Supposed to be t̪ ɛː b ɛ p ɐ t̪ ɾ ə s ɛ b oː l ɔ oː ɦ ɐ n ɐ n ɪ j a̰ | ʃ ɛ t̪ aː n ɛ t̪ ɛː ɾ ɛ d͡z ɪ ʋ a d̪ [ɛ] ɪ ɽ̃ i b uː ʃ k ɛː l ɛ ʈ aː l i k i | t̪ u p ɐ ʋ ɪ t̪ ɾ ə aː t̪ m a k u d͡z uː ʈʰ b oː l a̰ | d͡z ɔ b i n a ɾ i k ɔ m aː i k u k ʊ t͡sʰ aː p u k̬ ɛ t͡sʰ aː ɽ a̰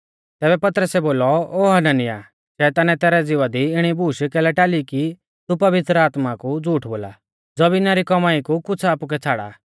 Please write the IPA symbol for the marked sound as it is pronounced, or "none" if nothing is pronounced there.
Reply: i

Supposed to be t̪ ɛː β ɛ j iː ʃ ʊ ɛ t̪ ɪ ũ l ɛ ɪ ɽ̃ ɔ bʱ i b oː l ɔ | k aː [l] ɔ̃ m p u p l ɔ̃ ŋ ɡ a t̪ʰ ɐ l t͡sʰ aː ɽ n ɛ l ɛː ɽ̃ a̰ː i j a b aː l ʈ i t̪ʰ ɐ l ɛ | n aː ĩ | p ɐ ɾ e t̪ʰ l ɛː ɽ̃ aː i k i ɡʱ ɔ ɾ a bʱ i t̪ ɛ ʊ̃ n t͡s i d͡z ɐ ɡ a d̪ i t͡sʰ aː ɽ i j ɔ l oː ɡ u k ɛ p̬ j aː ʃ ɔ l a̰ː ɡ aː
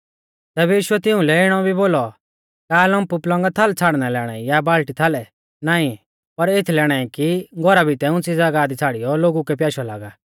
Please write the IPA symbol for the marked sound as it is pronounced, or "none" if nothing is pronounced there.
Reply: l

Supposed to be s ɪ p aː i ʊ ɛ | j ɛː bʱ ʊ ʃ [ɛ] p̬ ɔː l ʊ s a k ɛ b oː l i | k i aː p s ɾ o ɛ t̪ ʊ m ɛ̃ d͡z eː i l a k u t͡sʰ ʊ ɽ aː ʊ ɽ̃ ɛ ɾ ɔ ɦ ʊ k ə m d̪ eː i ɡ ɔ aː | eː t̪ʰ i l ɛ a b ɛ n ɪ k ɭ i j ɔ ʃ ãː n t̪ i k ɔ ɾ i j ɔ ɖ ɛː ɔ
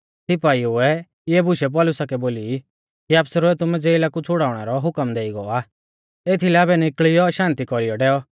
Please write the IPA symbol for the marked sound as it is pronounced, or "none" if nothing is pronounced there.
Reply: ɛ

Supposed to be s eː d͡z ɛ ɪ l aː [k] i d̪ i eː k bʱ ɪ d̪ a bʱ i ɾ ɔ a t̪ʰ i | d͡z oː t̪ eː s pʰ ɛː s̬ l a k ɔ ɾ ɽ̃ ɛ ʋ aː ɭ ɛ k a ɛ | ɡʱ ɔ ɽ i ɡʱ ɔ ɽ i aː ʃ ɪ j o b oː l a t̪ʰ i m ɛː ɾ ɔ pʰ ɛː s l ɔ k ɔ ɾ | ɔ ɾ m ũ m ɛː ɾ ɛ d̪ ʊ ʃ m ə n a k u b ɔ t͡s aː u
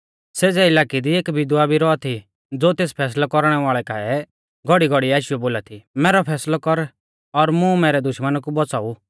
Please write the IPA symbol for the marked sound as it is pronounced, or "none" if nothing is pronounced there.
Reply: k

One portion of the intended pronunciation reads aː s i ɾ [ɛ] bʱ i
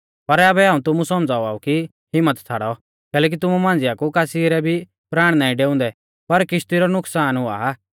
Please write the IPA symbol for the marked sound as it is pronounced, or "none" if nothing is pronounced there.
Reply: ɛ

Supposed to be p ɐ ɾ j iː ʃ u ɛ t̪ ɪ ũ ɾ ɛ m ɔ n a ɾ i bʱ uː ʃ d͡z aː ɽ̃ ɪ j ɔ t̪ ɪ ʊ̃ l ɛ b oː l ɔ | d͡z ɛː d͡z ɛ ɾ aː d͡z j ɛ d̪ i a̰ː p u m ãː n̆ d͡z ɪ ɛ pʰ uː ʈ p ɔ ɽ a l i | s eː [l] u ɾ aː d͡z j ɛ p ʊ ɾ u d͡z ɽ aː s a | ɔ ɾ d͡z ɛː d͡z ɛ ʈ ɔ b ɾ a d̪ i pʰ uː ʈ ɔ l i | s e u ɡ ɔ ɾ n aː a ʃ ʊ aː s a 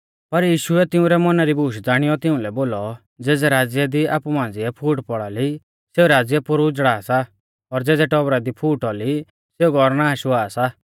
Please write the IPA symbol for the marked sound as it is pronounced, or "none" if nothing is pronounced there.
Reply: none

